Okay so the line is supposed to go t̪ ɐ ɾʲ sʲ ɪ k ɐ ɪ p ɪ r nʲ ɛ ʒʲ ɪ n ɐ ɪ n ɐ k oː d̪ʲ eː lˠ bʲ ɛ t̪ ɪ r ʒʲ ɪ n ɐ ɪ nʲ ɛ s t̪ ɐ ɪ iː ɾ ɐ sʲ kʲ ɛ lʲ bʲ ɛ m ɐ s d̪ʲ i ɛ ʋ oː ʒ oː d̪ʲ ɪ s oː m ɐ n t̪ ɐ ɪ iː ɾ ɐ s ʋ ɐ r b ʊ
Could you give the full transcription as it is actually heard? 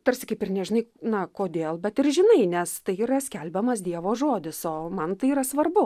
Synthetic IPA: t̪ ɐ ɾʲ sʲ ɪ k ɐ ɪ p ɪ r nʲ ɛ ʒʲ ɪ n ɐ ɪ n ɐ k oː d̪ʲ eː lˠ bʲ ɛ t̪ ɪ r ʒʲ ɪ n ɐ ɪ nʲ ɛ s t̪ ɐ ɪ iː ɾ ɐ sʲ kʲ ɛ lʲ bʲ ɛ m ɐ s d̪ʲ i ɛ ʋ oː ʒ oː d̪ʲ ɪ s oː m ɐ n t̪ ɐ ɪ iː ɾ ɐ s ʋ ɐ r b ʊ